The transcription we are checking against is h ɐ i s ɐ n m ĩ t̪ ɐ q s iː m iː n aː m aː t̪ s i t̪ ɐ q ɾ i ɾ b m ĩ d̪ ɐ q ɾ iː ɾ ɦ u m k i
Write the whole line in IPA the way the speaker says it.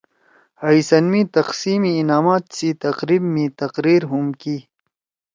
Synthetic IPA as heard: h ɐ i s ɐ n m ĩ t̪ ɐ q s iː m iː n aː m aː t̪ s i t̪ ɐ q ɾ i b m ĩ t̪ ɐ q ɾ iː ɾ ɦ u m k i